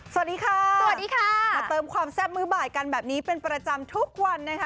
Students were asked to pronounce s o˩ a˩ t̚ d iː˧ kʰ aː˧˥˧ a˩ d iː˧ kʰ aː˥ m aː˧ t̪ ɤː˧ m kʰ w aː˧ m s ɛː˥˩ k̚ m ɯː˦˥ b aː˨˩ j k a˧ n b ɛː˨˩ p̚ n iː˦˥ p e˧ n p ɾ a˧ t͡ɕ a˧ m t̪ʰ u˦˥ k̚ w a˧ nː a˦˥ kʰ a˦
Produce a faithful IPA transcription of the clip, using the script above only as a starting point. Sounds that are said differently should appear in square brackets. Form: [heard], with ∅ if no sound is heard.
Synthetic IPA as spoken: s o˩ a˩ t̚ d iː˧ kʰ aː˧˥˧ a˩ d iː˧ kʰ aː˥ m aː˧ t̪ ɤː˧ m kʰ w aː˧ m s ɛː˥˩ [p̚] m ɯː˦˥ b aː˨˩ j k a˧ n b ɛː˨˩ p̚ n iː˦˥ p e˧ n p ɾ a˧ t͡ɕ a˧ m t̪ʰ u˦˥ k̚ w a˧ nː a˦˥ kʰ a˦